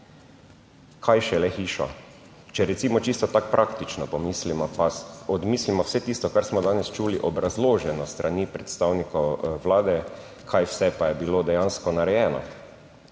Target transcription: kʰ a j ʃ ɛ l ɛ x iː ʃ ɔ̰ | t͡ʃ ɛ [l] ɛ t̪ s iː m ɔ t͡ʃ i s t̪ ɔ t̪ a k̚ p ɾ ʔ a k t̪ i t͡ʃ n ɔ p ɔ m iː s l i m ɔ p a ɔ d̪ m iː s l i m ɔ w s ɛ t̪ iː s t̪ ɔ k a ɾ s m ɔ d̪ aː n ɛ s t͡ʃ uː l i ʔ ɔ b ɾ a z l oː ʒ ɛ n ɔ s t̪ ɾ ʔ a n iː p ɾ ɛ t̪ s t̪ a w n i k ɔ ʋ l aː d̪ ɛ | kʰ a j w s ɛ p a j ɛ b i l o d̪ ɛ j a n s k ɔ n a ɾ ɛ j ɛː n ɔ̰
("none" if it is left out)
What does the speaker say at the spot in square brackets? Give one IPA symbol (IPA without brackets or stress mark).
ɾ